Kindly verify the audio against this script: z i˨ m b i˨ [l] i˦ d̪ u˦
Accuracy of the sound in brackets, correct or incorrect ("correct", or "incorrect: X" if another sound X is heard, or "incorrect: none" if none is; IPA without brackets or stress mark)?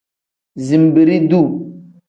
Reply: incorrect: ɾ